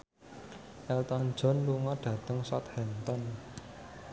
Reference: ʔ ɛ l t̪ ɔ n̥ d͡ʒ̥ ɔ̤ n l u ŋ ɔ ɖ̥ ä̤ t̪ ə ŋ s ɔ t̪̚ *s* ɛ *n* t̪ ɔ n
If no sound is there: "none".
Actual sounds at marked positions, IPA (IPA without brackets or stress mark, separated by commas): h, n